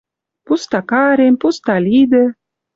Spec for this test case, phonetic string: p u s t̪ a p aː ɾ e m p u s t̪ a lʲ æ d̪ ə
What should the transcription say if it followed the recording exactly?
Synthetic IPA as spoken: p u s t̪ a k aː ɾ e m p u s t̪ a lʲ i d̪ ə